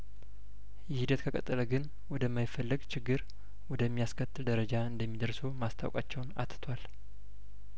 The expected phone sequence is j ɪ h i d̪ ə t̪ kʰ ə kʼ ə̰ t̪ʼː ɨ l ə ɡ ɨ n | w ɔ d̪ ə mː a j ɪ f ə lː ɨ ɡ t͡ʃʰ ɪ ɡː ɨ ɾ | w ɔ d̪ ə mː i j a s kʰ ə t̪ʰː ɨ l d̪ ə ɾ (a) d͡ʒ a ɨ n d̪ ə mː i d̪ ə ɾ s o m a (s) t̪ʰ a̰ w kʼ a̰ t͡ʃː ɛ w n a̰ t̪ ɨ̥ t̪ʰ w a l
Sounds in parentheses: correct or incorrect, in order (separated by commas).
incorrect, correct